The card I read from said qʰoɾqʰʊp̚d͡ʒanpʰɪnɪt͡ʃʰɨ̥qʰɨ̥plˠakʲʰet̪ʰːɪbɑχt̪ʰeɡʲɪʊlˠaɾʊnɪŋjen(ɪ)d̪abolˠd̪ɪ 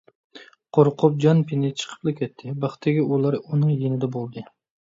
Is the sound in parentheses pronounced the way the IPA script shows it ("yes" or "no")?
yes